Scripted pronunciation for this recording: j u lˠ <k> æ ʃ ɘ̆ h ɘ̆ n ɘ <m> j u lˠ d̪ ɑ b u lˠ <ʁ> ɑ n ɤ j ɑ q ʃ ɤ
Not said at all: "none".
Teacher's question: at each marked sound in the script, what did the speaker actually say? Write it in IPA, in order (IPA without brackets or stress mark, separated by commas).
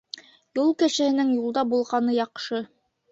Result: k, ŋ, ʁ